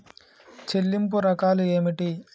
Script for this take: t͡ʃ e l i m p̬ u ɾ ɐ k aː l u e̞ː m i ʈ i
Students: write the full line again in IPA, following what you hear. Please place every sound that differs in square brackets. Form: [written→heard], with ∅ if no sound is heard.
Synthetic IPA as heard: t͡ʃ e [l→lː] i m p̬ u ɾ ɐ k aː l u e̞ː m i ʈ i

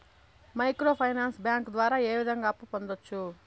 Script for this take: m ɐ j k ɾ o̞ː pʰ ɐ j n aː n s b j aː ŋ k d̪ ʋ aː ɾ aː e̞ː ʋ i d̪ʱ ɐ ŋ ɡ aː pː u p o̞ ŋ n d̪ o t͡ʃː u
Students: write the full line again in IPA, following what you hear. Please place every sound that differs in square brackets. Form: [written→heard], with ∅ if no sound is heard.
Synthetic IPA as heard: m ɐ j k ɾ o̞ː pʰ ɐ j n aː n s b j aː ŋ k d̪ ʋ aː ɾ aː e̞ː ʋ i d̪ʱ ɐ ŋ ɡ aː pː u p o̞ [ŋ→∅] n d̪ o t͡ʃː u

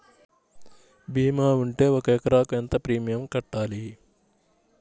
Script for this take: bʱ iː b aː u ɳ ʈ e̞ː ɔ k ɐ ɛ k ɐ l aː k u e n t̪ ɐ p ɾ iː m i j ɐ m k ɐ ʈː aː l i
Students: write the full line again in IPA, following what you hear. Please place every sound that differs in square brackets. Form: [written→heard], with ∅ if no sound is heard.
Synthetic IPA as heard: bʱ iː [b→m] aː u ɳ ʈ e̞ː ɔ k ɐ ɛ k ɐ [l→ɾ] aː k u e n t̪ ɐ p ɾ iː m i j ɐ m k ɐ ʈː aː l i

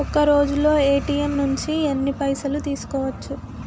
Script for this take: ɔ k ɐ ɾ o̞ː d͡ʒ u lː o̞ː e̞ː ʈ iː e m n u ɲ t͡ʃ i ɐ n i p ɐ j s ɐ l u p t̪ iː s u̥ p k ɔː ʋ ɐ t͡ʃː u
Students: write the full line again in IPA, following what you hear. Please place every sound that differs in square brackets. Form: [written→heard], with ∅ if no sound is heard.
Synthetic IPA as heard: ɔ k ɐ ɾ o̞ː d͡ʒ u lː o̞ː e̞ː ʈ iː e m n u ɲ t͡ʃ i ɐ [n→nː] i p ɐ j s ɐ l u [p→∅] t̪ iː s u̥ [p→∅] k ɔː ʋ ɐ t͡ʃː u

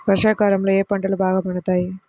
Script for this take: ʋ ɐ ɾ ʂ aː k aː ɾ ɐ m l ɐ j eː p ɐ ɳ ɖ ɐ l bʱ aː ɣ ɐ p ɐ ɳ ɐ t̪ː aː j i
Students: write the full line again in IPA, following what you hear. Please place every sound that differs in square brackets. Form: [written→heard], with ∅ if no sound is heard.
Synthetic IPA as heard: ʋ ɐ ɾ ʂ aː k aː ɾ ɐ m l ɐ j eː p ɐ ɳ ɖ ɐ l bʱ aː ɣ ɐ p ɐ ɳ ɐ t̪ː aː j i

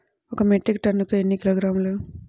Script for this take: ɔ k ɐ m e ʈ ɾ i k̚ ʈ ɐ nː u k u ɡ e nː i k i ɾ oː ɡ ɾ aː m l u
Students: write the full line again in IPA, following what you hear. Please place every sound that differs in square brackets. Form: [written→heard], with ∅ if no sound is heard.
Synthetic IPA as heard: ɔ k ɐ m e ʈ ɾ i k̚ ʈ ɐ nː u k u [ɡ→∅] e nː i k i [ɾ→l] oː ɡ ɾ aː m l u

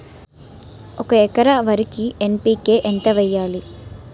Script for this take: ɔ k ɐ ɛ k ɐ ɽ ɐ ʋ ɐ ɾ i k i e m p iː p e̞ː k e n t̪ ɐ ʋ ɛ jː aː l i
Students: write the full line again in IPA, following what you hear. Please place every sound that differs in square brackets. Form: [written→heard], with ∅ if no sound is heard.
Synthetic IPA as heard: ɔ k ɐ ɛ k ɐ [ɽ→ɾ] ɐ ʋ ɐ ɾ i k i e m p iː [p→k] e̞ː [k→ʔ] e n t̪ ɐ ʋ ɛ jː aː l i

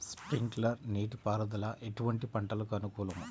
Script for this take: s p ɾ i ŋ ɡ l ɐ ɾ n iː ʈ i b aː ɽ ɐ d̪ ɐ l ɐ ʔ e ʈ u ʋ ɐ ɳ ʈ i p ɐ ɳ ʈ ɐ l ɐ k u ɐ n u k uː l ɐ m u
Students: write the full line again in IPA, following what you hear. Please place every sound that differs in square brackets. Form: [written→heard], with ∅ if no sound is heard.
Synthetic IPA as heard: s p ɾ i ŋ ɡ l ɐ ɾ n iː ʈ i [b→p] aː [ɽ→ɾ] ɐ d̪ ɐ l ɐ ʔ e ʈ u ʋ ɐ ɳ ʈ i p ɐ ɳ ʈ ɐ l ɐ k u ɐ n u k uː l ɐ m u

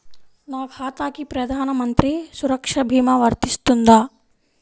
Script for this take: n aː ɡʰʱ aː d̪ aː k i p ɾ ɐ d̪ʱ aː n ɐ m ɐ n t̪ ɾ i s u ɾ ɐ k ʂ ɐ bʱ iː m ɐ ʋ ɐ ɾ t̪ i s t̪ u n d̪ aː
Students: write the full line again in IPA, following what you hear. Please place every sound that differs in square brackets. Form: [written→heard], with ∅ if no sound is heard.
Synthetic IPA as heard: n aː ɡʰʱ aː [d̪→t̪] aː k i p ɾ ɐ d̪ʱ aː n ɐ m ɐ n t̪ ɾ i s u ɾ ɐ k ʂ ɐ bʱ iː m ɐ ʋ ɐ ɾ t̪ i s t̪ u n d̪ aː

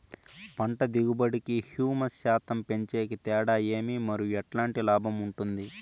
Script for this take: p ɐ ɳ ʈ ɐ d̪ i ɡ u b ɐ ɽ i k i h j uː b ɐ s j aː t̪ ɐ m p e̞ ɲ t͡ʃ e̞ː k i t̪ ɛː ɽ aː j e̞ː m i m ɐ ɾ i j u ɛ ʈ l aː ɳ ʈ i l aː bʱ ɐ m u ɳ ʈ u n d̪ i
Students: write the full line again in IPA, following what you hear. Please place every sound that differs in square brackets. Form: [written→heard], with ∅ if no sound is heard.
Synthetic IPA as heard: p ɐ ɳ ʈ ɐ d̪ i ɡ u b ɐ ɽ i k i h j uː [b→m] ɐ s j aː t̪ ɐ m p e̞ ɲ t͡ʃ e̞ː k i t̪ ɛː ɽ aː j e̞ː m i m ɐ ɾ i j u ɛ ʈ l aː ɳ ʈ i l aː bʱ ɐ m u ɳ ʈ u n d̪ i

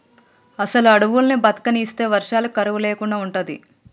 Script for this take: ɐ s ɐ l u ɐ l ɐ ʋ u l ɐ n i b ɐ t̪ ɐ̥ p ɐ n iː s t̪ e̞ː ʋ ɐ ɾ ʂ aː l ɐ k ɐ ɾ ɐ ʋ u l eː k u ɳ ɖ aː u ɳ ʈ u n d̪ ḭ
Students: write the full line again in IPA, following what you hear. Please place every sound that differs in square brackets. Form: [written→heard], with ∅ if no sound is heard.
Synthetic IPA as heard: ɐ s ɐ l u ɐ [l→ɽ] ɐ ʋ u l ɐ n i b ɐ t̪ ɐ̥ [p→k] ɐ n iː s t̪ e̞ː ʋ ɐ ɾ ʂ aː l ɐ k ɐ ɾ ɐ ʋ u l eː k u ɳ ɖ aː u ɳ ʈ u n d̪ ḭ

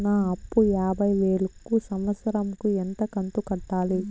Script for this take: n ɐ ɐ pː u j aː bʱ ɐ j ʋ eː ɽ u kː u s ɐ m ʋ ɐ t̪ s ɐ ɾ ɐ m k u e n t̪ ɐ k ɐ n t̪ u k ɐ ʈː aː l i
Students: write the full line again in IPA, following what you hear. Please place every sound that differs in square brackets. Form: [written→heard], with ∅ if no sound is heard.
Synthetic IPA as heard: n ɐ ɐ pː u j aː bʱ ɐ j ʋ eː [ɽ→ɭ] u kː u s ɐ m ʋ ɐ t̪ s ɐ ɾ ɐ m k u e n t̪ ɐ k ɐ n t̪ u k ɐ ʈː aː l i

